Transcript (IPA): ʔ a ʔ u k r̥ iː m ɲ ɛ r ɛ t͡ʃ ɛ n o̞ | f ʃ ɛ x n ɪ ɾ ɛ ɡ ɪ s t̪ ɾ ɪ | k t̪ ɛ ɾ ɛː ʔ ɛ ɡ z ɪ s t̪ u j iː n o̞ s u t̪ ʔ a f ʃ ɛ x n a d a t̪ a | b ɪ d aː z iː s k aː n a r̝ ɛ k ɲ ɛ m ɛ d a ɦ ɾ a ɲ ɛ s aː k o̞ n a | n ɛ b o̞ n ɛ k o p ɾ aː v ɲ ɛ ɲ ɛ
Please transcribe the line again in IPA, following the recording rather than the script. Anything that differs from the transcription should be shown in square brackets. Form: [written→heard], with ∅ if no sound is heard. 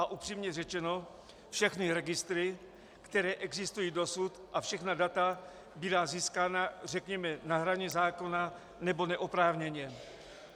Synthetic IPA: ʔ a ʔ u [k→p] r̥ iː m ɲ ɛ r ɛ t͡ʃ ɛ n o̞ | f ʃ ɛ x n ɪ ɾ ɛ ɡ ɪ s t̪ ɾ ɪ | k t̪ ɛ ɾ ɛː ʔ ɛ ɡ z ɪ s t̪ u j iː [n→d] o̞ s u t̪ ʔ a f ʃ ɛ x n a d a t̪ a | b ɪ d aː z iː s k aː n a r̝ ɛ k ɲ ɛ m ɛ [d→n] a ɦ ɾ a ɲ ɛ [s→z] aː k o̞ n a | n ɛ b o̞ n ɛ [k→ʔ] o p ɾ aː v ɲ ɛ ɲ ɛ